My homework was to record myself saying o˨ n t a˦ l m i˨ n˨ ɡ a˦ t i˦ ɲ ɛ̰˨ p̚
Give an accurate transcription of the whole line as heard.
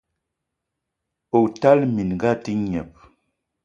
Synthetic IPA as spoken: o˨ t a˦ l m i˨ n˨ ɡ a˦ t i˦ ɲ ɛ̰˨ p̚